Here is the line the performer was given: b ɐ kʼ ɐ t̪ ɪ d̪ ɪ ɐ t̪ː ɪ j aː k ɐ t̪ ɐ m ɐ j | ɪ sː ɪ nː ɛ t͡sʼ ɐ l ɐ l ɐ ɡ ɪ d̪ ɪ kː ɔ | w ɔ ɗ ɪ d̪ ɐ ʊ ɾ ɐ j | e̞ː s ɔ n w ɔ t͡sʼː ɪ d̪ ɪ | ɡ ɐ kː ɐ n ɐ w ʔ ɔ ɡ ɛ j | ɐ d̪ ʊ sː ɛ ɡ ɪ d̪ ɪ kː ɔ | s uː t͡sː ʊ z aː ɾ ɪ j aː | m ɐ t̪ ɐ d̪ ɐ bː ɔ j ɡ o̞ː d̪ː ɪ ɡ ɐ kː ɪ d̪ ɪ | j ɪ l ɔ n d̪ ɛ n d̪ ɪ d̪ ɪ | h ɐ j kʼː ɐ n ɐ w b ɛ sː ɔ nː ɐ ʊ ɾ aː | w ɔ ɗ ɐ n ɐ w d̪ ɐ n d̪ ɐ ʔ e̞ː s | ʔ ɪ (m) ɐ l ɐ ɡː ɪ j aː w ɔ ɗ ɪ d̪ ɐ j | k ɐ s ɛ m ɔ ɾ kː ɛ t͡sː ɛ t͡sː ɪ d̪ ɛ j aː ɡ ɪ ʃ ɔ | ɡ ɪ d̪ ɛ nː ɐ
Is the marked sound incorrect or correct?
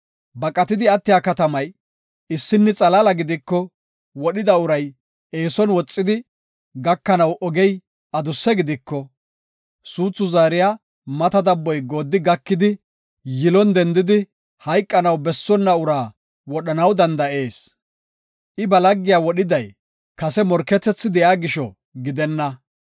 incorrect